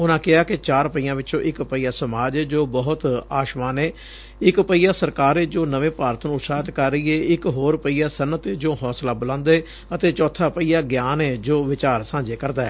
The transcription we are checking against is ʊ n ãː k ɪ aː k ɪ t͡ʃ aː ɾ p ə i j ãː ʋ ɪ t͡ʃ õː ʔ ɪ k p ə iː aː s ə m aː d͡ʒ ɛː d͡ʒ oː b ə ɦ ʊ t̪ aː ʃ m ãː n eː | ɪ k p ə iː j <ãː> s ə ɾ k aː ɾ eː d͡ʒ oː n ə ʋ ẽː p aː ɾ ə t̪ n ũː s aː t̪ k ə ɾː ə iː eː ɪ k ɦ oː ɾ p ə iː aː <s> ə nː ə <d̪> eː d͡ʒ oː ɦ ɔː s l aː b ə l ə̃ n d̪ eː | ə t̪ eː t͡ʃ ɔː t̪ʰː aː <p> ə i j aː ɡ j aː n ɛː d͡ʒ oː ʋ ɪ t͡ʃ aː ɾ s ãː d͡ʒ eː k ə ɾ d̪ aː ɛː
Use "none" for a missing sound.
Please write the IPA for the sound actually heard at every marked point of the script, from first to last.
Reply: aː, s, t̪, p

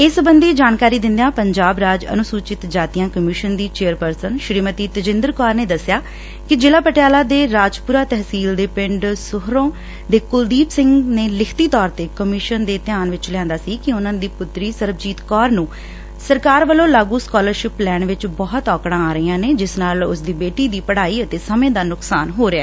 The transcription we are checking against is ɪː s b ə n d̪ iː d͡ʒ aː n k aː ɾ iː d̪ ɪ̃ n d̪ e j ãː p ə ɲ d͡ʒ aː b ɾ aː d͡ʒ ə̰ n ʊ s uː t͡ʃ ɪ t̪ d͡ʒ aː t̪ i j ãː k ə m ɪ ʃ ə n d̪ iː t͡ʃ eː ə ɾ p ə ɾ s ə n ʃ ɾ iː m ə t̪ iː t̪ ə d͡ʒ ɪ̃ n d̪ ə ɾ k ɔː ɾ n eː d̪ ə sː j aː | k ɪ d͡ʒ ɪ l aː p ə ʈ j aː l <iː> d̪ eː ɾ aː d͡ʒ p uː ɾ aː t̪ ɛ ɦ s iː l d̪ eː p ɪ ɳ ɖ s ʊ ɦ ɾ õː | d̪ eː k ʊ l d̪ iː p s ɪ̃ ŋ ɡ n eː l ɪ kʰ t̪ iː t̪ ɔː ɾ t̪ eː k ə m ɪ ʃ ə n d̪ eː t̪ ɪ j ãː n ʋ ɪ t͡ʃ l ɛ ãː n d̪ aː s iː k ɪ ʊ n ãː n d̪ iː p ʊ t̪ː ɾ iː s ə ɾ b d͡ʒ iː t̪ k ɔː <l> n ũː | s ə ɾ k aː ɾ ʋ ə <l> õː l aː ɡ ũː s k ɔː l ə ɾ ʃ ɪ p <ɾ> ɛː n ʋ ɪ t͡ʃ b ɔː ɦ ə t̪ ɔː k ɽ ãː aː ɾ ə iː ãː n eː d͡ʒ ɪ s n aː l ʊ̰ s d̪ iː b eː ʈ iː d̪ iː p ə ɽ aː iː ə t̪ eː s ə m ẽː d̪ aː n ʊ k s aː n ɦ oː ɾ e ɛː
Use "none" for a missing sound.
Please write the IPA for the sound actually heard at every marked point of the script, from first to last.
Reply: aː, ɾ, l, l

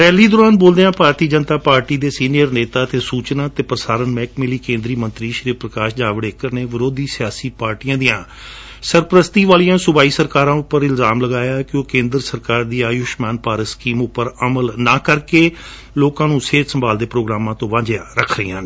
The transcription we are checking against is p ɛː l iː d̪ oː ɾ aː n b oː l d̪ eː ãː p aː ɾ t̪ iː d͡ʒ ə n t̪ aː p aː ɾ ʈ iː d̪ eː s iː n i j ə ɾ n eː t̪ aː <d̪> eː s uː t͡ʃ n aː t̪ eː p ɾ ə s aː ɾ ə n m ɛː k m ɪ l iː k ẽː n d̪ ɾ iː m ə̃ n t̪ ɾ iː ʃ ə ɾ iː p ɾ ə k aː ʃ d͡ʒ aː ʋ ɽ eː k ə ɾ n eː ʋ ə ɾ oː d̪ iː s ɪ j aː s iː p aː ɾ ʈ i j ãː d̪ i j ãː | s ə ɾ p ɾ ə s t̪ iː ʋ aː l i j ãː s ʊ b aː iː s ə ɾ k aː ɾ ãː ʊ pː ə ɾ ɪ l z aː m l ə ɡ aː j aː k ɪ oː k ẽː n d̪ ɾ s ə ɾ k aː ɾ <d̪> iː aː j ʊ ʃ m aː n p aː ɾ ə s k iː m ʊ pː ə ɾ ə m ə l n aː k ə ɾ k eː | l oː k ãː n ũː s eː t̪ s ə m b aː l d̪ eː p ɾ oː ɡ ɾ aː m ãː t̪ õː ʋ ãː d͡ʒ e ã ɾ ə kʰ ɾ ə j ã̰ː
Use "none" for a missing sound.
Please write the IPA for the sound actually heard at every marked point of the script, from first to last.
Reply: t̪, d̪

